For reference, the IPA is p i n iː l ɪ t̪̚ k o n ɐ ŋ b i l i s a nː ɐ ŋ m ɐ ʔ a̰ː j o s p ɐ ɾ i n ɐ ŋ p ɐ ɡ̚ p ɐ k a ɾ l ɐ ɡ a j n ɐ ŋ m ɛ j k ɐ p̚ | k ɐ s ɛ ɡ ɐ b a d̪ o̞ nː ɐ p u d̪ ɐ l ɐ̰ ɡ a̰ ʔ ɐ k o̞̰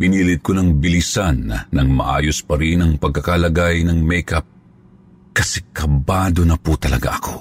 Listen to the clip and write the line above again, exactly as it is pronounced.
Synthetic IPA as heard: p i n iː l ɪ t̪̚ k o n ɐ ŋ b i l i s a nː ɐ ŋ m ɐ ʔ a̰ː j o s p ɐ ɾ i n ɐ ŋ p ɐ ɡ̚ k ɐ k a l ɐ ɡ a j n ɐ ŋ m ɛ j k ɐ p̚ | k ɐ s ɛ k ɐ b a d̪ o̞ n ɐ p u t̪ ɐ l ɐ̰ ɡ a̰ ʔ ɐ k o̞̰